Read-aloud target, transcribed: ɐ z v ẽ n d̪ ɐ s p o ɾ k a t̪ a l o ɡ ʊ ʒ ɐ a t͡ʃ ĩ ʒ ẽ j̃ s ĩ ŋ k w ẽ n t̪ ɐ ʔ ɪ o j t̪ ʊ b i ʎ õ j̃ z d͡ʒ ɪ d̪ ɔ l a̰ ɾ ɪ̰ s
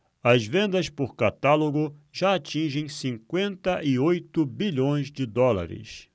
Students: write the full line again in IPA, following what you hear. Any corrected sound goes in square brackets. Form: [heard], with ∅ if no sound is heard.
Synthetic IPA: ɐ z v ẽ n d̪ ɐ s p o ɾ k a t̪ a l o ɡ ʊ ʒ [a] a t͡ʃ ĩ ʒ ẽ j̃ s ĩ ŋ k w ẽ n t̪ ɐ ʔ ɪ o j t̪ ʊ b i ʎ õ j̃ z d͡ʒ ɪ d̪ ɔ l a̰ ɾ ɪ̰ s